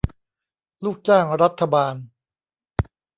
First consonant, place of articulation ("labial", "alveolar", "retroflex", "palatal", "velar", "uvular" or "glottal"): alveolar